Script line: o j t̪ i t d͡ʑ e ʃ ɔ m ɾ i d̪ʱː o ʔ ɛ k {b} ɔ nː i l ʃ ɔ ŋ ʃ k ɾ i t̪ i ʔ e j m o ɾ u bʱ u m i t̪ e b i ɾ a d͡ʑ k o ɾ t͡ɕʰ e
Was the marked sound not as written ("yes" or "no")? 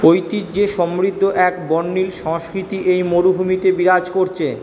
no